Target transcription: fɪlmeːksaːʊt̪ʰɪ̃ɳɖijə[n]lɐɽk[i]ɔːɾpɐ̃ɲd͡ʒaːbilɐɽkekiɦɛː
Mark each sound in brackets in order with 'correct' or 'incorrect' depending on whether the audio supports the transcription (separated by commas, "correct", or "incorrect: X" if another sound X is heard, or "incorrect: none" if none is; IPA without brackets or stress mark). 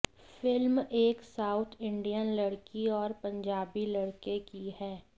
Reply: correct, correct